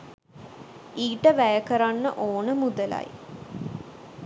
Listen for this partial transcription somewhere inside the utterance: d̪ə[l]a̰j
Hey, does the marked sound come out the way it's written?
yes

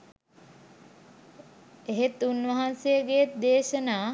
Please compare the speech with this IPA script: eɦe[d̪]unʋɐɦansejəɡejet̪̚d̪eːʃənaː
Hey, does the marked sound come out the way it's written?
no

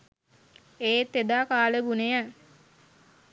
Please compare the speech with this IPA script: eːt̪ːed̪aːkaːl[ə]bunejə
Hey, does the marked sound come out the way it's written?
yes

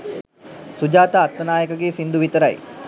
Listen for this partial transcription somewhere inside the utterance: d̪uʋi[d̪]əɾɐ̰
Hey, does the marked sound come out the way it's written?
no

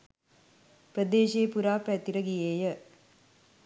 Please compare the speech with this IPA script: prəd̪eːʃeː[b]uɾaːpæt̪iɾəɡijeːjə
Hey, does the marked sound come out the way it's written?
no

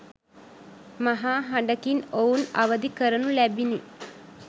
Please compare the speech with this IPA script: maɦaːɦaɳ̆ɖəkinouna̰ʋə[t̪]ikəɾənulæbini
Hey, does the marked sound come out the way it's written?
no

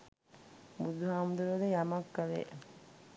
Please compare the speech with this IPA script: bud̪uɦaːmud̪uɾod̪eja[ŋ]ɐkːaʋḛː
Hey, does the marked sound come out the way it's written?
no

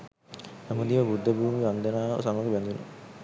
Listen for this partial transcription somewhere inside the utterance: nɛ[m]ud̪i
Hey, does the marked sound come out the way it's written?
yes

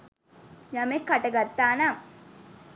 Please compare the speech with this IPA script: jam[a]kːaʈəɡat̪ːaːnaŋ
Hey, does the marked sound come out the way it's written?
no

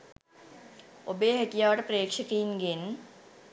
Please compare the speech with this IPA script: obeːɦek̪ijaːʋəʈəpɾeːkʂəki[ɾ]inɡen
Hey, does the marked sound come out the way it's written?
no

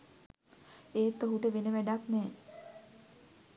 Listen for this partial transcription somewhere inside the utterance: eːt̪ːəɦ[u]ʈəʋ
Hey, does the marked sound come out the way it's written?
yes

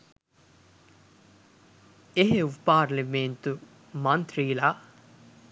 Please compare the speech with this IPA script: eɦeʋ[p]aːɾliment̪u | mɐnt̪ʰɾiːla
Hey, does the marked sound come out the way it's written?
yes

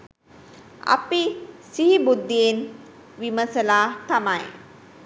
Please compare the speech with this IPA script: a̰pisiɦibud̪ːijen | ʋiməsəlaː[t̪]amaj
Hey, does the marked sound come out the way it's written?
yes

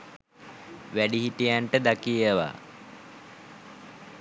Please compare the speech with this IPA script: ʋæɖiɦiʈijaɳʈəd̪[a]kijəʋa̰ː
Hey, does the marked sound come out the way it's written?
yes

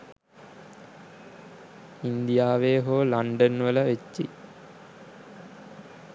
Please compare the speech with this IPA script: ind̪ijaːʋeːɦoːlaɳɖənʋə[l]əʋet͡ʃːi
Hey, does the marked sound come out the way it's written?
yes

